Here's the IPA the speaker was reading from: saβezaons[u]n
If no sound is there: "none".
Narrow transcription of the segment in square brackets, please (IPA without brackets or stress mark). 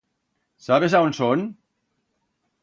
o